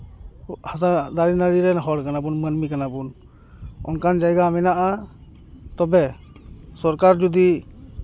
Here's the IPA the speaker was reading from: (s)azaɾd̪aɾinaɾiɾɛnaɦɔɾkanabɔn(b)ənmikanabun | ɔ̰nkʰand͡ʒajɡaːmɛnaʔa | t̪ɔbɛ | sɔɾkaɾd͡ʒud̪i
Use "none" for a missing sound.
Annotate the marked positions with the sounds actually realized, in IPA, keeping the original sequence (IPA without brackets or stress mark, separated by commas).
h, m